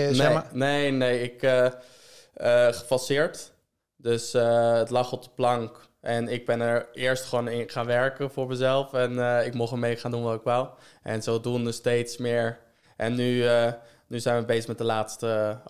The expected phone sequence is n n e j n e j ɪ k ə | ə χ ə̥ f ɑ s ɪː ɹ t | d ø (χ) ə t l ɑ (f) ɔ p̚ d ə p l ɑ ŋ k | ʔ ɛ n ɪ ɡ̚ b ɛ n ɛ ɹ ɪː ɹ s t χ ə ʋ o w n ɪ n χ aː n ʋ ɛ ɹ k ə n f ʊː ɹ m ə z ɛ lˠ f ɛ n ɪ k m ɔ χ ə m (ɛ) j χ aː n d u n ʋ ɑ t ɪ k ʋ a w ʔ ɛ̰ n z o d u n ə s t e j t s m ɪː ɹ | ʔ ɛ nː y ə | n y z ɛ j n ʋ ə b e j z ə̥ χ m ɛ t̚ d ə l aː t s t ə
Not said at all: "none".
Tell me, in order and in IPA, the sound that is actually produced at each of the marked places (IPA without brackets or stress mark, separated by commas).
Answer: s, χ, e